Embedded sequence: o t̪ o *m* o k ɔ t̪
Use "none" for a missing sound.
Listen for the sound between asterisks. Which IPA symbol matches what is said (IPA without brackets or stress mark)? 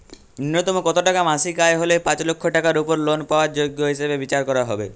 m